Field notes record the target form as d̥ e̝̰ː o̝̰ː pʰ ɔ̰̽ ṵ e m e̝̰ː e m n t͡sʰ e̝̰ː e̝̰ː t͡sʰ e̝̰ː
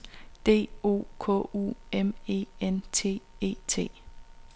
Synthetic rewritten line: d̥ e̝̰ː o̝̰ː kʰ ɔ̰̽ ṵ e m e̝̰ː e n t͡sʰ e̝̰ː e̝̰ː t͡sʰ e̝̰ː